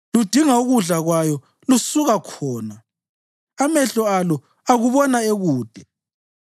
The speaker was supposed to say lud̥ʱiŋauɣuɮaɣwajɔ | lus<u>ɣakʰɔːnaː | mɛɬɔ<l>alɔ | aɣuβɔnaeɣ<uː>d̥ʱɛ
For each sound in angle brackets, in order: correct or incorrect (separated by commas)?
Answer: correct, incorrect, correct